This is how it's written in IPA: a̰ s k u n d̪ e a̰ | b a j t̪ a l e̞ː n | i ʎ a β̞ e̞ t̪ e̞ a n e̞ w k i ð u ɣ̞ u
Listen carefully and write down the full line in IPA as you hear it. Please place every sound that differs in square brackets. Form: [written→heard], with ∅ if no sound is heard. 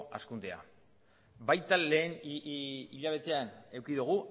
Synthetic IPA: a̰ s k u n d̪ e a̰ | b a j t̪ a l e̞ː n | i ʎ a β̞ e̞ t̪ e̞ a n e̞ w k i ð u ɣ̞ u